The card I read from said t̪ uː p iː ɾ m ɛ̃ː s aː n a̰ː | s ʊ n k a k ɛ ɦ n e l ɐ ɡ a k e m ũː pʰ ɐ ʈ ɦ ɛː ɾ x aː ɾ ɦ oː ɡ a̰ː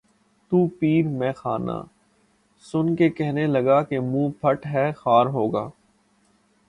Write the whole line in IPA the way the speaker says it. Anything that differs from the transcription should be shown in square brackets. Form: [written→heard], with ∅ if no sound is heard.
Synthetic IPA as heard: t̪ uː p iː ɾ m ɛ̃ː [s→x] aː n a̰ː | s ʊ n k [a→e] k ɛ ɦ n e l ɐ ɡ a k e m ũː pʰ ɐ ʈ ɦ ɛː [ɾ→∅] x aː ɾ ɦ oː ɡ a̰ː